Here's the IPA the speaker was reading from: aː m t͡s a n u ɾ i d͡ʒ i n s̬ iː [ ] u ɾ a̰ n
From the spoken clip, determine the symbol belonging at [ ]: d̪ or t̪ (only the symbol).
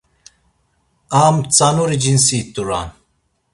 t̪